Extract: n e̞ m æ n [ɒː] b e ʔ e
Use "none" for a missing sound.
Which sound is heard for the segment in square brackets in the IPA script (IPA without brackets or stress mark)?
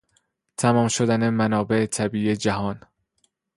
ɒː